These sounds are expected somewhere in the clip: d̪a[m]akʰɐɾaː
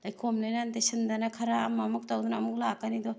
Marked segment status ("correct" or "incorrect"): incorrect